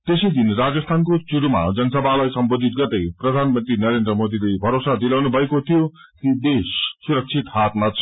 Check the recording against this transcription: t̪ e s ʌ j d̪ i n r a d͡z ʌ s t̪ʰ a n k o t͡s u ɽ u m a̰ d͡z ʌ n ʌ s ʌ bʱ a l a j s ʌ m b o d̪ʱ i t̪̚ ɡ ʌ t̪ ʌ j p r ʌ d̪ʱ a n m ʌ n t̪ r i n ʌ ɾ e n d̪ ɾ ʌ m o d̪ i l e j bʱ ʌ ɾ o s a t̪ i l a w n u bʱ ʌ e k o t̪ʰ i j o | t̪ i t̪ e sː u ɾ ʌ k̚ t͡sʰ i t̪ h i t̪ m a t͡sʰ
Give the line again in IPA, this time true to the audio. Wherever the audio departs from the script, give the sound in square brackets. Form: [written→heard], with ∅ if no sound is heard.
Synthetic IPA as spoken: t̪ e s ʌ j d̪ i n r a d͡z ʌ s t̪ʰ a n k o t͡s u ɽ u m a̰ d͡z ʌ n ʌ s ʌ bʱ a l a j s ʌ m b o d̪ʱ i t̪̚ ɡ ʌ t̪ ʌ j p r ʌ d̪ʱ a n m ʌ n t̪ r i n ʌ ɾ e n d̪ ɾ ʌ m o d̪ i l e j bʱ ʌ ɾ o s a [t̪→d̪] i l a w n u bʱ ʌ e k o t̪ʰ i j o | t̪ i [t̪→d̪] e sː u ɾ ʌ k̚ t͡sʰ i t̪ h [i→a] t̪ m a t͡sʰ